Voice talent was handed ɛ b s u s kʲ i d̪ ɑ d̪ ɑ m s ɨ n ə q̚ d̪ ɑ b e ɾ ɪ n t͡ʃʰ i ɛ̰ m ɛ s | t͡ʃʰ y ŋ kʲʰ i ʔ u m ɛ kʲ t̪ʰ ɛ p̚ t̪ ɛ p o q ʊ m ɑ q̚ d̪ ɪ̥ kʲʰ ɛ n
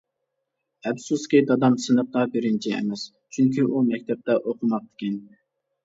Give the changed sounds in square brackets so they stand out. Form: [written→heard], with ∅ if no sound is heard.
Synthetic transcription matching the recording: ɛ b s u s kʲ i d̪ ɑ d̪ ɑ m s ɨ n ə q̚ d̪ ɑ b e ɾ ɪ n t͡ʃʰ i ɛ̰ m ɛ s | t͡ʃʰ y ŋ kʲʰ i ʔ u m ɛ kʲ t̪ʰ ɛ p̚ t̪ ɛ [p→ʔ] o q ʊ m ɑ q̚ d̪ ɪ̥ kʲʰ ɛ n